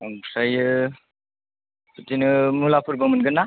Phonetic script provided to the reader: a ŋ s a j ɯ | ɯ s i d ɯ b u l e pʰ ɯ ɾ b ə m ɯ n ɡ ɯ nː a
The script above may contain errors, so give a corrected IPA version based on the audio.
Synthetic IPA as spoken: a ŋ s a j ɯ | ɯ t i n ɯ m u l a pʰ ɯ ɾ b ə m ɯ n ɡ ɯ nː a

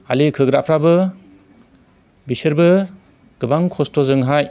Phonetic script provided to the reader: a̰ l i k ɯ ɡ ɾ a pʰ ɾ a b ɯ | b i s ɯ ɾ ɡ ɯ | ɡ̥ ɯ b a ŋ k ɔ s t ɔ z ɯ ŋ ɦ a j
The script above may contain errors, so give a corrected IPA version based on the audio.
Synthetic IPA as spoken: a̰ l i kʰ ɯ ɡ ɾ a pʰ ɾ a b ɯ | b i s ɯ ɾ b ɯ | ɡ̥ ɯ b a ŋ kʰ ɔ s t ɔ z ɯ ŋ ɦ a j

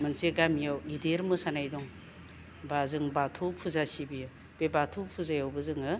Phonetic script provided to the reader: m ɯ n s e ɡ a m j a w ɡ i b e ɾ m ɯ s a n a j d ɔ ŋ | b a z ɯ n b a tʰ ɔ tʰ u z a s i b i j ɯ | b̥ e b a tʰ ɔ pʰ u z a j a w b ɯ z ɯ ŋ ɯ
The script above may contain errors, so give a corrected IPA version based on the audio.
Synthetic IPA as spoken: m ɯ n s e ɡ a m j a w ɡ i d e ɾ m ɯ s a n a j d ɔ ŋ | b a z ɯ ŋ b a tʰ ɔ pʰ u z a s i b i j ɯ | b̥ e b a tʰ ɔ pʰ u z a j a w b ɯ z ɯ ŋ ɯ

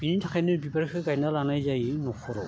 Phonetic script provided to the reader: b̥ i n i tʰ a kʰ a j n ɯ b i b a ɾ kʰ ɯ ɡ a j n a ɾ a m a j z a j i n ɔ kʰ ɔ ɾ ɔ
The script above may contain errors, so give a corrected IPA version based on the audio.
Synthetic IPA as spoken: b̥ i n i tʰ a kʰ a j n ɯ b i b a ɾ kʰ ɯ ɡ a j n a l a n a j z a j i n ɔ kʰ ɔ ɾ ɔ

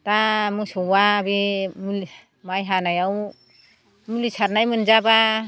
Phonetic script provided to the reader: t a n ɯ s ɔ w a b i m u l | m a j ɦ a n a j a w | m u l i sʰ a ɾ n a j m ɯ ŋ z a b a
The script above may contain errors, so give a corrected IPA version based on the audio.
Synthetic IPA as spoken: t a m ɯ s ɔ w a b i m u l | m a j ɦ a n a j a w | m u l i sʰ a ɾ n a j m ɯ n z a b a

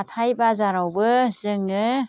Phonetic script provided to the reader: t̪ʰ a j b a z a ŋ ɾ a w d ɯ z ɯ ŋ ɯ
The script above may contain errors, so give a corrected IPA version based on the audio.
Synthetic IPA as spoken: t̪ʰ a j b a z a ɾ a w b ɯ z ɯ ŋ ɯ

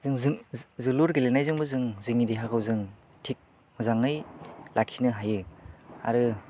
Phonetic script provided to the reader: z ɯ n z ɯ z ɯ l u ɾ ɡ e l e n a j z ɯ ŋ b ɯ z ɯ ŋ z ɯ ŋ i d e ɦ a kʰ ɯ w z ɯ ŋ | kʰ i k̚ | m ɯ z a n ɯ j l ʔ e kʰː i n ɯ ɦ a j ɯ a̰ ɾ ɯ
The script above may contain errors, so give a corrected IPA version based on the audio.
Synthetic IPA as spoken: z ɯ ŋ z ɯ z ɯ l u ɾ ɡ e l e n a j z ɯ ŋ b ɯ z ɯ ŋ z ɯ ŋ i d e ɦ a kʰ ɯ w z ɯ ŋ | tʰ i k̚ | m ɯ z a ŋ ɯ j l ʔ a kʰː i n ɯ ɦ a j ɯ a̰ ɾ ɯ

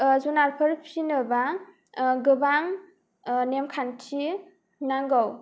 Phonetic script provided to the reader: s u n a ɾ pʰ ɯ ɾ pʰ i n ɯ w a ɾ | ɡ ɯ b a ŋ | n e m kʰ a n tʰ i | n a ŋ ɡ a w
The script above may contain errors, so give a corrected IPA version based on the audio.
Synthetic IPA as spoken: z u n a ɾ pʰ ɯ ɾ pʰ i n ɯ b a | ɡ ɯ b a ŋ | n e m kʰ a n tʰ i | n a ŋ ɡ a w

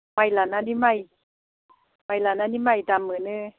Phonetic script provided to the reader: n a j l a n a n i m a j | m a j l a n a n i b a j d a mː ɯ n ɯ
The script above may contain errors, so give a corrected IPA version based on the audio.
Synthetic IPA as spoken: m a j l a n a n i m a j | m a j l a n a n i m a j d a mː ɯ n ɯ

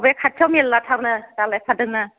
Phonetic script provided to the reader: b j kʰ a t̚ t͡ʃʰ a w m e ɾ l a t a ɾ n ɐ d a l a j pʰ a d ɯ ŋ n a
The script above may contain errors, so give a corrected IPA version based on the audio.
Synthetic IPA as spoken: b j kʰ a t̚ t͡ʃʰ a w m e l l a tʰ a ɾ n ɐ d a l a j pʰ a d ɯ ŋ n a

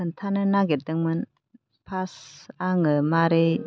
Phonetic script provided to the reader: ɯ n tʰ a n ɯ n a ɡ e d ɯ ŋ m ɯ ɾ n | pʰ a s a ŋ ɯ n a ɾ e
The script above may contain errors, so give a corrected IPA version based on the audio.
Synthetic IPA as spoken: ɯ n tʰ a n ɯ n a ɡ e d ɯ ŋ m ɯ n | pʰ a s a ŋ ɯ m a ɾ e

